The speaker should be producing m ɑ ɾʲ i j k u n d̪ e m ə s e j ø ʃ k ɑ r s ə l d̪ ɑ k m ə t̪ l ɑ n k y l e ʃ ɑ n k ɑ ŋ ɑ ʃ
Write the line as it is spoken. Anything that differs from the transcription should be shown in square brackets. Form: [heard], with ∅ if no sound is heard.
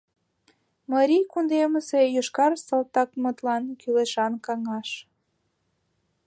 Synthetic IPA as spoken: m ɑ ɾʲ i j k u n d̪ e m ə s e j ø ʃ k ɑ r s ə l [t̪] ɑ k m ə t̪ l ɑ n k y l e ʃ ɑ n k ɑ ŋ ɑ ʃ